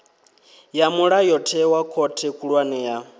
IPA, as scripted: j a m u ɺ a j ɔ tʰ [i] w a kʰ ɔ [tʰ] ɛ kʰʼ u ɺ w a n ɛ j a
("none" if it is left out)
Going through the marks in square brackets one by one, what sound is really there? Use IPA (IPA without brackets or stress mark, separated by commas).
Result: ɛ, tʰ